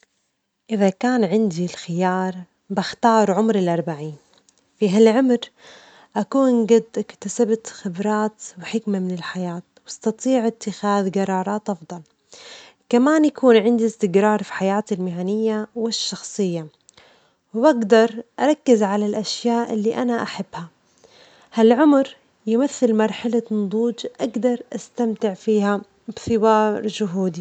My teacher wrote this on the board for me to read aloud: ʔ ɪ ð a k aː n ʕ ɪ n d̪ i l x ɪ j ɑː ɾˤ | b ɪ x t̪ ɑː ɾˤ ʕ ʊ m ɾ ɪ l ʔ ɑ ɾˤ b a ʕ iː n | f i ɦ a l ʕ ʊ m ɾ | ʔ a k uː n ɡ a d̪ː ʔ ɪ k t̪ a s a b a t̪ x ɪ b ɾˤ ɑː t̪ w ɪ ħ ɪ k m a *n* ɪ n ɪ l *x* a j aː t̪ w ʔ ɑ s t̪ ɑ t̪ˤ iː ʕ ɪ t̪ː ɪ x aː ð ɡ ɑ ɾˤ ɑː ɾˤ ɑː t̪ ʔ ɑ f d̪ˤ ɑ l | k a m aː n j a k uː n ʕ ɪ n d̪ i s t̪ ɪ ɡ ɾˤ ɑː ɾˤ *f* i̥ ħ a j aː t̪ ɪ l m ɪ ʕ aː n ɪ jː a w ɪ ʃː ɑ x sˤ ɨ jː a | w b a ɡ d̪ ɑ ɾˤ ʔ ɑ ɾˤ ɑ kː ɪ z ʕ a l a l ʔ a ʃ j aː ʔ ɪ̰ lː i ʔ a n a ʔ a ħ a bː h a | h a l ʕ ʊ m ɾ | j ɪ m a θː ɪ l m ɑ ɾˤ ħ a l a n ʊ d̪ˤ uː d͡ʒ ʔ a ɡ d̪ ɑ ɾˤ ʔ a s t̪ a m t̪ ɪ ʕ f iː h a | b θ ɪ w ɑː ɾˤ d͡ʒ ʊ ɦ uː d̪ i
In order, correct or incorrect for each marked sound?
incorrect, incorrect, correct

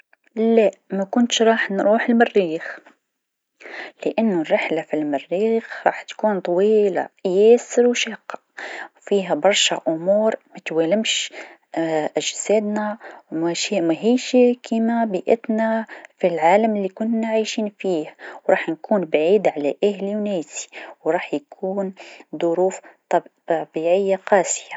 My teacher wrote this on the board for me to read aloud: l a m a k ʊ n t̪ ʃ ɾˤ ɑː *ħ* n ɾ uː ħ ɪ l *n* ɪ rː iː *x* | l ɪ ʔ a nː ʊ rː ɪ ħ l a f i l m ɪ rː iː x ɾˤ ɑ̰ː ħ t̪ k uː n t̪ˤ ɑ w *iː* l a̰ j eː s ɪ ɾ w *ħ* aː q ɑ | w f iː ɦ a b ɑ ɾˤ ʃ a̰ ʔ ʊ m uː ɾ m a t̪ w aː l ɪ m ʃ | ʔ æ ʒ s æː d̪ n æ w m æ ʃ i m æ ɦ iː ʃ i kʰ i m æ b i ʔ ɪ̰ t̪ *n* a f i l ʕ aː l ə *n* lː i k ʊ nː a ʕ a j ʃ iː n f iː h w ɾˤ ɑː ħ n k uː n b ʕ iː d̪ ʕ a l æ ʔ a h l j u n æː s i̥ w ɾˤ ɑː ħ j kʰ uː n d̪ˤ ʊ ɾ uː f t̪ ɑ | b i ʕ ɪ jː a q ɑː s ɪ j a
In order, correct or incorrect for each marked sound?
correct, incorrect, correct, correct, incorrect, correct, incorrect

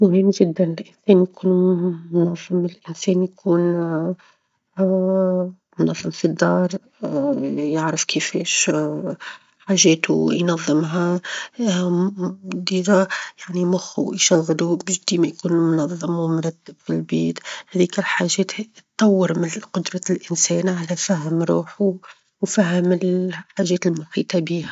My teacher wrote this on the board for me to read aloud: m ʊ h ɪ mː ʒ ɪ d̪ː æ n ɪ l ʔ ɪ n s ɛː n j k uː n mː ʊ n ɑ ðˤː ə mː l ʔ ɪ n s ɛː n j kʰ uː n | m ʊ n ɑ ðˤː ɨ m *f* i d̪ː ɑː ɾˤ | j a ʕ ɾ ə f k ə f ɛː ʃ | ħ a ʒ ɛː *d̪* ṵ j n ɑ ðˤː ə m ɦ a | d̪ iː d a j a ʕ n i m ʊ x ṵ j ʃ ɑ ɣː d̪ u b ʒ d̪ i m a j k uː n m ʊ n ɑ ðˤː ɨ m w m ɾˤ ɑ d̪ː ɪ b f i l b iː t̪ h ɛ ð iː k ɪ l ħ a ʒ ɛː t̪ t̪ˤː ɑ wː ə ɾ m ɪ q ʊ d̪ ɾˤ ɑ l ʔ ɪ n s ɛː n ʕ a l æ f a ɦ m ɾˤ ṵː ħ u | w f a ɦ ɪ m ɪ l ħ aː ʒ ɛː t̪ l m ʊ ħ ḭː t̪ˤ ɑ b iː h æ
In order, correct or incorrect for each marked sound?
correct, incorrect

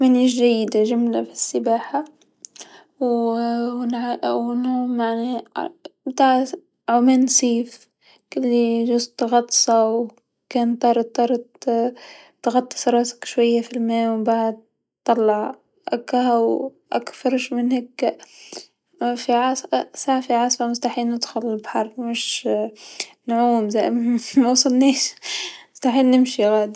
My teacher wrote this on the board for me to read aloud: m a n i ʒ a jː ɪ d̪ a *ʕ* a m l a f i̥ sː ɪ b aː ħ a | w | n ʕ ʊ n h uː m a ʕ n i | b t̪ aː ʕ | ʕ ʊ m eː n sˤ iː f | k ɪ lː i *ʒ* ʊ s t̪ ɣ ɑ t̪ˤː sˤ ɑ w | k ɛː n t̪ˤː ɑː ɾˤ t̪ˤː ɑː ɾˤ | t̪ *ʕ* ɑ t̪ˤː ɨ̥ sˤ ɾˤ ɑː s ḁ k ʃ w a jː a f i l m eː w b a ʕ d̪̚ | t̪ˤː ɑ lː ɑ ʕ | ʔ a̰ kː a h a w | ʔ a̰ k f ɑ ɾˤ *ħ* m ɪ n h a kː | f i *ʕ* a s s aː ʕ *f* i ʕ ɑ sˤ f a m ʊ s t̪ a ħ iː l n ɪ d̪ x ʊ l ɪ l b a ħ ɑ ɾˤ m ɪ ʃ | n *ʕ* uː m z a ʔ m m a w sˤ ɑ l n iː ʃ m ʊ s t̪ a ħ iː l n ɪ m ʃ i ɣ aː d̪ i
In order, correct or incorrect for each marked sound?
incorrect, correct, incorrect, incorrect, correct, correct, correct

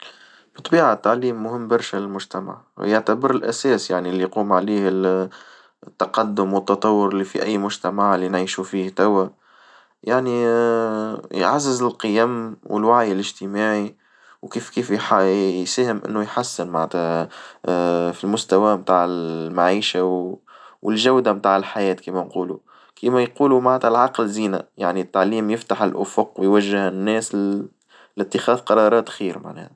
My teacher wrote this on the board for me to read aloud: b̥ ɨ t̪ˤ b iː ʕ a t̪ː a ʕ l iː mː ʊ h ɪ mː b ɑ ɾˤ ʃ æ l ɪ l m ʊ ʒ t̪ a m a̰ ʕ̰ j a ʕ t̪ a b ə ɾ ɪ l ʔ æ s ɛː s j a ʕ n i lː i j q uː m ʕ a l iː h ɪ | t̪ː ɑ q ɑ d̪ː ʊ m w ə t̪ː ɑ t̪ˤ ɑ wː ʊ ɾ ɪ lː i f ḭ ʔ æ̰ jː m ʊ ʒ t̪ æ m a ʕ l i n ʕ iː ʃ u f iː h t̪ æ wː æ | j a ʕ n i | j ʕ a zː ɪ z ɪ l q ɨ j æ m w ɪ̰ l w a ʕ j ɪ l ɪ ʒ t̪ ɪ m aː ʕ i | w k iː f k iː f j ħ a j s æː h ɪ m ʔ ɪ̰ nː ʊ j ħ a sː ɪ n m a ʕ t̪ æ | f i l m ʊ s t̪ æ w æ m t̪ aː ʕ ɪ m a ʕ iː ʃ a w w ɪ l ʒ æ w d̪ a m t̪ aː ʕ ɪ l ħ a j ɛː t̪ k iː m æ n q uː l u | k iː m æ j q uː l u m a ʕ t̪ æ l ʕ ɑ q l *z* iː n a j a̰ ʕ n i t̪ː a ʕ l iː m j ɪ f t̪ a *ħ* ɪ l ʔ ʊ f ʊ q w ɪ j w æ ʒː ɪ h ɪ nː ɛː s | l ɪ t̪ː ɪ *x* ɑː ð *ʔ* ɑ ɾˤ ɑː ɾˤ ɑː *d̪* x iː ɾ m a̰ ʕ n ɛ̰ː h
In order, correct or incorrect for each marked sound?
correct, correct, correct, incorrect, incorrect

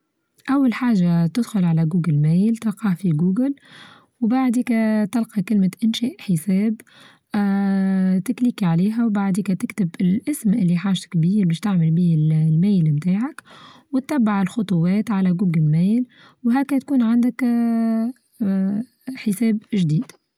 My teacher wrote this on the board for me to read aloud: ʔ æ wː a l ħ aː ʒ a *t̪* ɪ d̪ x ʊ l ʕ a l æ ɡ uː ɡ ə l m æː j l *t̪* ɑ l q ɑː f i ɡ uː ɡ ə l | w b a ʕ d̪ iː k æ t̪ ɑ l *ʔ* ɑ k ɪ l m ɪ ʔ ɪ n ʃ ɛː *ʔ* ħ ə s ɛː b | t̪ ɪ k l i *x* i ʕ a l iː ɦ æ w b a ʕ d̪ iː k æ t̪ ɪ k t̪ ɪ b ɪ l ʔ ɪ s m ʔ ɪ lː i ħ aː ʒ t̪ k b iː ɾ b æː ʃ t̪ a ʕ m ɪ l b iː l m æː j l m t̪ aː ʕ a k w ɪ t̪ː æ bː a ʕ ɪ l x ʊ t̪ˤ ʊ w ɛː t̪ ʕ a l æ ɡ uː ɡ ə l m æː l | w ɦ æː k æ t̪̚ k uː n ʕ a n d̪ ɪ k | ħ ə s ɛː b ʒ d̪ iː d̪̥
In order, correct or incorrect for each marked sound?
correct, correct, incorrect, correct, incorrect

